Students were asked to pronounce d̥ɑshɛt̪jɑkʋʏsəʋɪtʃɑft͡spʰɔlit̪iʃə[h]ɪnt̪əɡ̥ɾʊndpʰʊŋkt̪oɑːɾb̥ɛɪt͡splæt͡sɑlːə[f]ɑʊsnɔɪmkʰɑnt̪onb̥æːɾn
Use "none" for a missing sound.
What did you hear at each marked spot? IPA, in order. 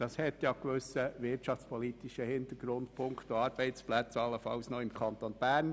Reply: h, f

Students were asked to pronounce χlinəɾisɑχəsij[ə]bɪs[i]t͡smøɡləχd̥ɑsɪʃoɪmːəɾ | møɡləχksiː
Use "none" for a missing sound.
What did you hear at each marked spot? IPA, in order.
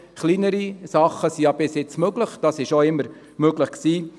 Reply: ɑ, ɪ

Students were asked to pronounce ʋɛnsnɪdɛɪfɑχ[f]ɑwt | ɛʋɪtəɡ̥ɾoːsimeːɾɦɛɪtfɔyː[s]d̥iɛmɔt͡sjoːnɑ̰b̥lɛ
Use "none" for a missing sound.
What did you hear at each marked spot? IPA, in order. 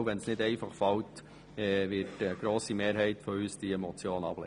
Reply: f, s

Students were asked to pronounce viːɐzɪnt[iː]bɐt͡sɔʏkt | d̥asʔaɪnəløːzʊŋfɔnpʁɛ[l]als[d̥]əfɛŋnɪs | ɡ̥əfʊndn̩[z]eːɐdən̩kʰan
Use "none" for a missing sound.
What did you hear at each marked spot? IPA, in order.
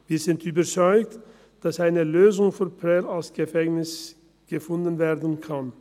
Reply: yː, l, ɡ̥, v

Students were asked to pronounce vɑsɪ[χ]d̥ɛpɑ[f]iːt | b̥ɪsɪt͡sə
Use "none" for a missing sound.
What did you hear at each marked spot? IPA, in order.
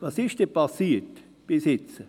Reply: ʃ, s

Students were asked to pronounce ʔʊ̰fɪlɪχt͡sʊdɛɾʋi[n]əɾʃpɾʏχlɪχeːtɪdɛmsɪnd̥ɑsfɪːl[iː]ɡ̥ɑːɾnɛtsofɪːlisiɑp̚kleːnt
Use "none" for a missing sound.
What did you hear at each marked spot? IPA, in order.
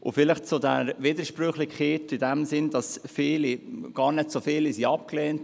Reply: d, i

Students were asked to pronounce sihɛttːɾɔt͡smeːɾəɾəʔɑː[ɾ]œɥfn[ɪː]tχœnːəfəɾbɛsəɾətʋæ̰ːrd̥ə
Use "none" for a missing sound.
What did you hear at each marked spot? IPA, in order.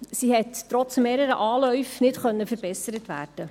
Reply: l, ɪ

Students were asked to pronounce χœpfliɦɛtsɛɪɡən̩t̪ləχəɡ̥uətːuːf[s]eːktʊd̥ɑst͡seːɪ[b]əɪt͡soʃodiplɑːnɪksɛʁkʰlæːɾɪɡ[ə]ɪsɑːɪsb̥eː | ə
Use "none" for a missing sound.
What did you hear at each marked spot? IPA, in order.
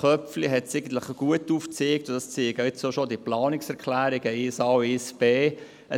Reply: t͡s, ɡ, ə

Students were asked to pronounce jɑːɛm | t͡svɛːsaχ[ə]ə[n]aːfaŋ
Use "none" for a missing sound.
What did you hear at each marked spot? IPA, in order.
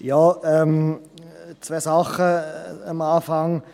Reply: ə, m

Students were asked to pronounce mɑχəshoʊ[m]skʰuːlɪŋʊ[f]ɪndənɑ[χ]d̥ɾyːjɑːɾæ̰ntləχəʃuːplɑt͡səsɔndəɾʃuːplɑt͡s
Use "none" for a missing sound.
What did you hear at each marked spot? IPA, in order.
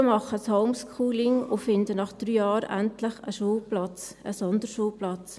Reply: m, f, χ

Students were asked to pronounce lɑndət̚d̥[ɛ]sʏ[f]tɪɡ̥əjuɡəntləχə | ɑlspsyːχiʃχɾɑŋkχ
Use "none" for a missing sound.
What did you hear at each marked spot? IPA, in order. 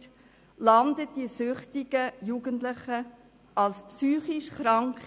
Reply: i, χ

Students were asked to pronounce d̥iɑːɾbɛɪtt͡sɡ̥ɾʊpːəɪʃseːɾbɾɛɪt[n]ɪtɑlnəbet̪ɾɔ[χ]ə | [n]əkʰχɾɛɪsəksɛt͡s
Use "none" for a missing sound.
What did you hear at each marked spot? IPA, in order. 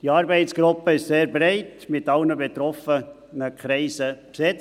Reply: m, f, n

